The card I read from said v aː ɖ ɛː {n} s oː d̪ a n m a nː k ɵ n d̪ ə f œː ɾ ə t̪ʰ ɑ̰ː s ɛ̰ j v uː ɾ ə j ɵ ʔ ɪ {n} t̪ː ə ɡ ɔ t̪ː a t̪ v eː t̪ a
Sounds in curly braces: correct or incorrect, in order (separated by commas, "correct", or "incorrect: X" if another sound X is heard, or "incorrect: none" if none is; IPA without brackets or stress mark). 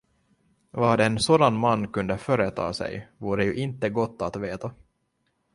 correct, correct